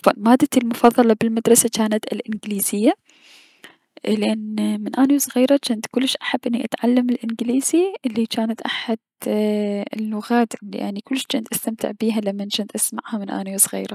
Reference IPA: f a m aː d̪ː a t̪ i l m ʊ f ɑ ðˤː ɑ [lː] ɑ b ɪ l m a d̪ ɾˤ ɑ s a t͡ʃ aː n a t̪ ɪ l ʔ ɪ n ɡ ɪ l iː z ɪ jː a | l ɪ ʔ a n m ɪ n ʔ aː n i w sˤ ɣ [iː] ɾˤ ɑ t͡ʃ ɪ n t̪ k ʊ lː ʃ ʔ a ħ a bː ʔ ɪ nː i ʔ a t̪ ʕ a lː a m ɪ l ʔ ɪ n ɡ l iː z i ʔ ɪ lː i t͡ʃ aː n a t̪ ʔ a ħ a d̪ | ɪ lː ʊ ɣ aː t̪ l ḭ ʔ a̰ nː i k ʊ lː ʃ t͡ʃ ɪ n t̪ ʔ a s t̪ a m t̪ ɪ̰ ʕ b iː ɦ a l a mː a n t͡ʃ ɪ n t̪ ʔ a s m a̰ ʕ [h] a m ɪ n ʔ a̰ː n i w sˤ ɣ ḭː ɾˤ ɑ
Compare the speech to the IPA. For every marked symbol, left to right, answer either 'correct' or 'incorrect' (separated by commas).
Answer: incorrect, correct, correct